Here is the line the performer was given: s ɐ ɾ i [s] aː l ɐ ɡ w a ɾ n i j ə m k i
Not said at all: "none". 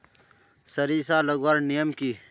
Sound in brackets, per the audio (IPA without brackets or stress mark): s